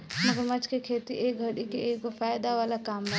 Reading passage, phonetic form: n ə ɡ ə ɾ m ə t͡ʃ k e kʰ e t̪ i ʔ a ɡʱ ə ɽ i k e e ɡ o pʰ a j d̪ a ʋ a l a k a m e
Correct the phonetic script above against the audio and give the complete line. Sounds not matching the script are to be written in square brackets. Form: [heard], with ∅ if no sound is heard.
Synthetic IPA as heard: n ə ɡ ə ɾ m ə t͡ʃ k e kʰ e t̪ i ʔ [e] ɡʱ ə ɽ i k e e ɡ o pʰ a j d̪ a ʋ a l a k a m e